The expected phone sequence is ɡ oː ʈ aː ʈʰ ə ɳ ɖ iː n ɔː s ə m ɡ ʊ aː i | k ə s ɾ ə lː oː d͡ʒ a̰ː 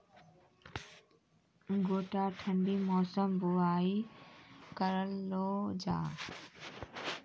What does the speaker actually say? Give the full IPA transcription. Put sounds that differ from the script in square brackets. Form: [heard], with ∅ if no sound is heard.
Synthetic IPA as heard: ɡ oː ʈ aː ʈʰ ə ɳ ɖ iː [m] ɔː s ə m [b] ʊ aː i | k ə [∅] ɾ ə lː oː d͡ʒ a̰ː